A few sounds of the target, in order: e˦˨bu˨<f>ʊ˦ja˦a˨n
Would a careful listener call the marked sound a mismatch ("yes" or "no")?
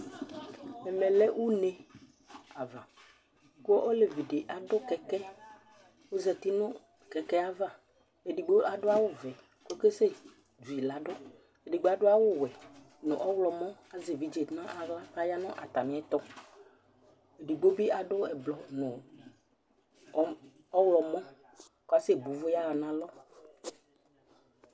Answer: yes